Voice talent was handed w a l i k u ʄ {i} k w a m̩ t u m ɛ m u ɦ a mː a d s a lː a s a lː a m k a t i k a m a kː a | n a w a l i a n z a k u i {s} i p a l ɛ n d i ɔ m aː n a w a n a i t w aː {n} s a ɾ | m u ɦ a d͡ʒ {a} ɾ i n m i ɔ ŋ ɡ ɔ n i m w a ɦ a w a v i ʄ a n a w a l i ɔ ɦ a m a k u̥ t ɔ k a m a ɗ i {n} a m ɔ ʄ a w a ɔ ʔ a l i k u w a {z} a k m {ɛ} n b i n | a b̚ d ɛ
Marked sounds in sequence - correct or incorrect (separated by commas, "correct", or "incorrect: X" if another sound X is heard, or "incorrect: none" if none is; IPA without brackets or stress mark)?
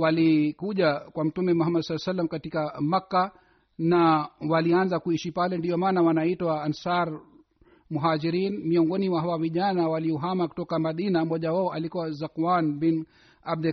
incorrect: a, incorrect: ʃ, correct, incorrect: i, correct, correct, incorrect: a